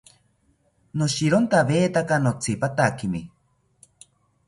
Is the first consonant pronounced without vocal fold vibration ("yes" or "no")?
no